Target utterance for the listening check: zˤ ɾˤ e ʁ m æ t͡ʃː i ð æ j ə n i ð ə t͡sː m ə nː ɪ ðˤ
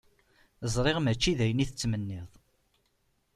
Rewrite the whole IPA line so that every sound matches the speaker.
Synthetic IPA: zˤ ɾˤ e ʁ m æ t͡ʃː i ð æ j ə n i θ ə t͡sː m ə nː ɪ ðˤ